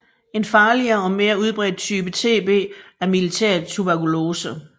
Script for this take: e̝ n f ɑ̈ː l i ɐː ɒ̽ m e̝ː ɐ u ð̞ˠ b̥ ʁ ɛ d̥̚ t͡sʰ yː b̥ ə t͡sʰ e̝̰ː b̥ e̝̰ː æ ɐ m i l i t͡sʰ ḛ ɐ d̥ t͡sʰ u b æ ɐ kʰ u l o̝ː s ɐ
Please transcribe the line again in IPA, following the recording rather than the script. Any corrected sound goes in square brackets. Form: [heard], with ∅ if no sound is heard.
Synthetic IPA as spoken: e̝ n f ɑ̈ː l i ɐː ɒ̽ m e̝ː ɐ u ð̞ˠ b̥ ʁ ɛ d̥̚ t͡sʰ yː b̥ ə t͡sʰ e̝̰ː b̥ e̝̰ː æ ɐ m i l i t͡sʰ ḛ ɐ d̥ t͡sʰ u b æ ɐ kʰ u l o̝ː s [ə]